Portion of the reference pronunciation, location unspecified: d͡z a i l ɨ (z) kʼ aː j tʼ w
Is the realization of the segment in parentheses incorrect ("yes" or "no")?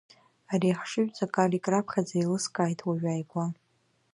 yes